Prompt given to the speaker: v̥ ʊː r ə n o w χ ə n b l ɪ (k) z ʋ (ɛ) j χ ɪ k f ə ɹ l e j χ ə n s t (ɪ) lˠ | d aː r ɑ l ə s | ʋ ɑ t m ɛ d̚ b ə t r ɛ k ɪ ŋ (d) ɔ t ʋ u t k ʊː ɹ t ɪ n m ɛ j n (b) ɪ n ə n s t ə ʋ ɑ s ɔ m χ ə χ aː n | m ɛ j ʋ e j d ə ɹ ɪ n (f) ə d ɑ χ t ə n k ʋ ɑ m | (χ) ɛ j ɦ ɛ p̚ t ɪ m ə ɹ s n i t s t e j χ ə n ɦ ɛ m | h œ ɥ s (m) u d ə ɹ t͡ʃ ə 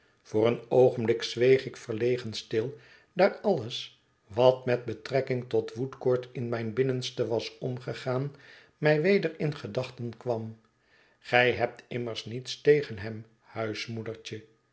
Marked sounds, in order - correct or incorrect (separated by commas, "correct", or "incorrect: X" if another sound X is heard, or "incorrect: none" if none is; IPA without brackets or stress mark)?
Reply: correct, incorrect: e, correct, incorrect: t, correct, incorrect: χ, correct, correct